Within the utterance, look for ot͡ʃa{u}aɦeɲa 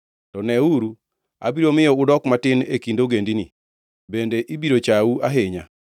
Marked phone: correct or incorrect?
correct